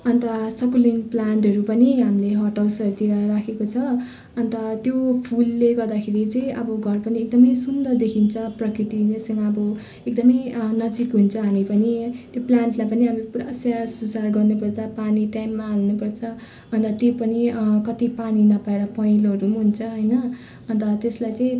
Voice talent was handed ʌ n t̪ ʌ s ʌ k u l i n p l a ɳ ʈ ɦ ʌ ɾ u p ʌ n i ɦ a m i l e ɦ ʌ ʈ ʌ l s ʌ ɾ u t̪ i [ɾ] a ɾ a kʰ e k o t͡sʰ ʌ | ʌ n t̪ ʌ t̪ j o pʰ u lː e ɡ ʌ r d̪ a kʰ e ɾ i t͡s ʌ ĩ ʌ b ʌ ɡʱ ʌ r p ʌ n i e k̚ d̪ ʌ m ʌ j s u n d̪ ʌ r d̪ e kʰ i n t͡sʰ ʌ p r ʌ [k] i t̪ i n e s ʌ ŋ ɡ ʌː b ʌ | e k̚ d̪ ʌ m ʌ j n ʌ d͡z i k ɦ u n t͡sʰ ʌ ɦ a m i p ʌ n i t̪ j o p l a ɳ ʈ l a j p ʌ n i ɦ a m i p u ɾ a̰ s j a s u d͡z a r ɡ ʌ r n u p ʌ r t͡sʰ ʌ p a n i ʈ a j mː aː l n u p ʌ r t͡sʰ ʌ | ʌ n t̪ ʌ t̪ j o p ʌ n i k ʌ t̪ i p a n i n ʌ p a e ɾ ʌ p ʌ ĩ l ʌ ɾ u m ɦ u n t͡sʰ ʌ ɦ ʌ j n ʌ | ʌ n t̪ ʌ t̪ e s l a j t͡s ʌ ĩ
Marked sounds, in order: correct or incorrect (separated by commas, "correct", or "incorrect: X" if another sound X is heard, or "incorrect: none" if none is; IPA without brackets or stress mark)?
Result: correct, correct